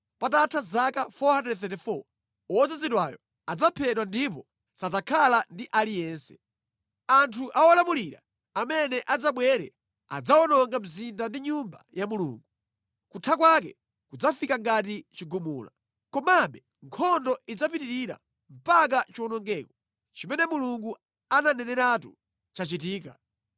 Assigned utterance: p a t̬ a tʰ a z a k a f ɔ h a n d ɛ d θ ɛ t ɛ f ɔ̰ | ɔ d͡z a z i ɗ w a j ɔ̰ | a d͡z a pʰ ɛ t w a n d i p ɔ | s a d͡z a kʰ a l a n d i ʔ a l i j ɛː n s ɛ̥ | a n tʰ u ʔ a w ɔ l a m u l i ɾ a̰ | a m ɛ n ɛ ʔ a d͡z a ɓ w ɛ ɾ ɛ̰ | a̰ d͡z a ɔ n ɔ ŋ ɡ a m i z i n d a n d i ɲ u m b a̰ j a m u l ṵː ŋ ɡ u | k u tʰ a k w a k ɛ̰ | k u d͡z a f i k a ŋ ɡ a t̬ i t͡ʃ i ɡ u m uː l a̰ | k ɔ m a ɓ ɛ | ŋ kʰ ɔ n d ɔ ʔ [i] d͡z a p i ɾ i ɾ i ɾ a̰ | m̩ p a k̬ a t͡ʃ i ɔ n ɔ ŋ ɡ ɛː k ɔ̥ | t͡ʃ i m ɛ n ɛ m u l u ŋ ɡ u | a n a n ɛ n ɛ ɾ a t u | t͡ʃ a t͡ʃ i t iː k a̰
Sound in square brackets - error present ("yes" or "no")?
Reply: no